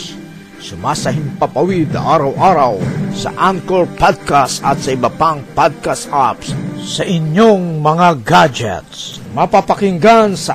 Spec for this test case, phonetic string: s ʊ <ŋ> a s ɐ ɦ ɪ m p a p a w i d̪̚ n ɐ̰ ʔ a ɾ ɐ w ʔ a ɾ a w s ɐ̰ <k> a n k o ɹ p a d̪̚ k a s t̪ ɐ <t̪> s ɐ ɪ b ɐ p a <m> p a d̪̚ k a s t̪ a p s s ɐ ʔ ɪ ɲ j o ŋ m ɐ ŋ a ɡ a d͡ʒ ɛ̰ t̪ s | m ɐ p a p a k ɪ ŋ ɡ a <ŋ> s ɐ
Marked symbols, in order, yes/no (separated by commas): no, no, yes, no, no